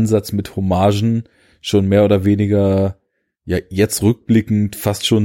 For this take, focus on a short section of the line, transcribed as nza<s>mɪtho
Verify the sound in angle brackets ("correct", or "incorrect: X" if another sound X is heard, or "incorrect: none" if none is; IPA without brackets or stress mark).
incorrect: t͡s